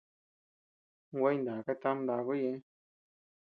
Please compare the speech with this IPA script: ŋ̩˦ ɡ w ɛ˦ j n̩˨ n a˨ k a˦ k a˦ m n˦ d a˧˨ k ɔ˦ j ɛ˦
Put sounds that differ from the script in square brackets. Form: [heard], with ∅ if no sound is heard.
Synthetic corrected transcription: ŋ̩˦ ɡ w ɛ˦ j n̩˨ [d] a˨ k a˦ [t] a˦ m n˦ d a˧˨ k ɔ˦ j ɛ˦